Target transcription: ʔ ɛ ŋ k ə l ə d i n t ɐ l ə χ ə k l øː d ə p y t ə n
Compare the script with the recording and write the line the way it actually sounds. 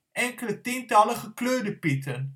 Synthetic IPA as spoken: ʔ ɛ ŋ k ə l ə t i n t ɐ l ə χ ə k l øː d ə p i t ə n